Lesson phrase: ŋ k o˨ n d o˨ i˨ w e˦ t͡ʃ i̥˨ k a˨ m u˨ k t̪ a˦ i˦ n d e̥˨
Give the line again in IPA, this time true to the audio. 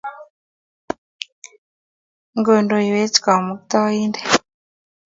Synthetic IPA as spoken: ŋ ɡ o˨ n d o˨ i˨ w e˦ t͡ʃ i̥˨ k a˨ m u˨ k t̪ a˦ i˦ n d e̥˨